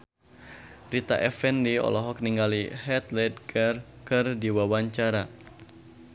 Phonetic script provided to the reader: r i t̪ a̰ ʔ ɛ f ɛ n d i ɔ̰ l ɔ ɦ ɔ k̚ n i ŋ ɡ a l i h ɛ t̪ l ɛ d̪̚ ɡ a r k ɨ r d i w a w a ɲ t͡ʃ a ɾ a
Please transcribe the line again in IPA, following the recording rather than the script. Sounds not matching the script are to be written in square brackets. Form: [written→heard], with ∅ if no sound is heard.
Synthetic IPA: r i t̪ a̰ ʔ ɛ f ɛ n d i ɔ̰ l ɔ ɦ ɔ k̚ n i ŋ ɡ a l i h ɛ t̪ l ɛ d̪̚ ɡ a r k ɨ r d i w a w a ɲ t͡ʃ a ɾ a